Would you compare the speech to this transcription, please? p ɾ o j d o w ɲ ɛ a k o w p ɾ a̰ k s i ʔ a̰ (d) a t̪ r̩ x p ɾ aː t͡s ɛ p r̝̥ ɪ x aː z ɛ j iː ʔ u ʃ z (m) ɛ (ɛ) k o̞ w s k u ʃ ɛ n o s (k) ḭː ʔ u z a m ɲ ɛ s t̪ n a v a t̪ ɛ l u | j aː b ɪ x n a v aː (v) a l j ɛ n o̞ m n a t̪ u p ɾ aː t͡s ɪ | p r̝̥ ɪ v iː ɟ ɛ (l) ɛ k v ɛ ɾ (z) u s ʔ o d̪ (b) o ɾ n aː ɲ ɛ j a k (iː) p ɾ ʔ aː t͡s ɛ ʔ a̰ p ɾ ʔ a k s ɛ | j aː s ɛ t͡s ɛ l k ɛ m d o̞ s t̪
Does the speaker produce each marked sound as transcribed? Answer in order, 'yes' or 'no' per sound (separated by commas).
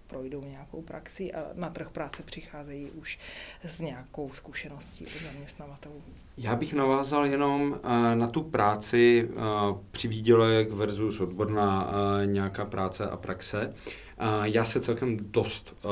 no, no, no, no, no, yes, yes, yes, no